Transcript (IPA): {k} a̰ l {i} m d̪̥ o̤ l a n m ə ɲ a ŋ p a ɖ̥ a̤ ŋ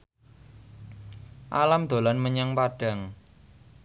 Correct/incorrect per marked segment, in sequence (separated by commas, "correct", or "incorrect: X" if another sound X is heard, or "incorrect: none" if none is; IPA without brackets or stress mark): incorrect: ʔ, incorrect: a